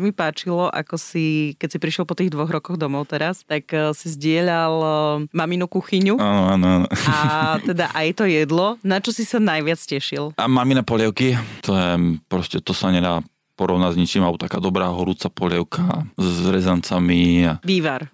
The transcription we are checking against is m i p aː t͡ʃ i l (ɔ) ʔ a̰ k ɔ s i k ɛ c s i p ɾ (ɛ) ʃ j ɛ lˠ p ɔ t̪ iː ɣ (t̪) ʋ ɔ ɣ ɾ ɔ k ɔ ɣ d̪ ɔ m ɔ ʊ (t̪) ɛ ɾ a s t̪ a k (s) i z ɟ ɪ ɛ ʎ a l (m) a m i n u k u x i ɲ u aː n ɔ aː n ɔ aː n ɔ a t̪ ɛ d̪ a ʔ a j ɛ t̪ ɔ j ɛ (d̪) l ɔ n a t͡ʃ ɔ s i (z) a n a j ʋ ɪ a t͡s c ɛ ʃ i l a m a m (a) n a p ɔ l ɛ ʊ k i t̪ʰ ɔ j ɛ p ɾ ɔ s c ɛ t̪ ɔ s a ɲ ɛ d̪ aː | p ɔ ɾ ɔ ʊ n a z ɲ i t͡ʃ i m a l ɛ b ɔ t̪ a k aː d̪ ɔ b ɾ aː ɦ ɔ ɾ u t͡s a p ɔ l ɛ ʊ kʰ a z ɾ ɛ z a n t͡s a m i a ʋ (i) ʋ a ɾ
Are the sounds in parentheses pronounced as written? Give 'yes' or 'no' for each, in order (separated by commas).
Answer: yes, no, no, yes, yes, yes, yes, no, no, no